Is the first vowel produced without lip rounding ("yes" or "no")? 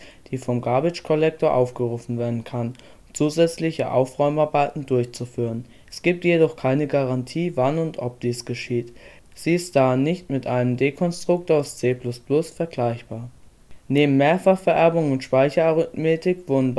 yes